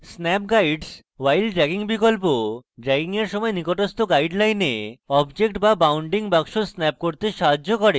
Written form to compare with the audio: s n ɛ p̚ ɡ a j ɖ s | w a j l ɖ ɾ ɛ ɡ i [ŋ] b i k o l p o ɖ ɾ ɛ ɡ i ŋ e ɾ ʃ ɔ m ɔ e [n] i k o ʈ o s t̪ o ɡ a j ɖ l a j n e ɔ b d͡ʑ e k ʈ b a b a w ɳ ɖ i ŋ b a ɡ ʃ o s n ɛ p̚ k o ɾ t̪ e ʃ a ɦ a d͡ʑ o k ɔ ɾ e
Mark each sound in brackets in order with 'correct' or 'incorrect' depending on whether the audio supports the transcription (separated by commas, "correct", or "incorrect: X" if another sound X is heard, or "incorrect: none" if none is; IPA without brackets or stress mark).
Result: correct, correct